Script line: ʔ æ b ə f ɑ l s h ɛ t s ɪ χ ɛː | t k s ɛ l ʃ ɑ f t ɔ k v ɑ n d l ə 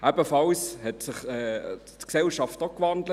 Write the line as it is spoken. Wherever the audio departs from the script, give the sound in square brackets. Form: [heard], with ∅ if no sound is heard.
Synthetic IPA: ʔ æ b ə f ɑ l s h ɛ t s ɪ χ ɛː | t k s ɛ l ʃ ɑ f t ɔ k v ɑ n d l ə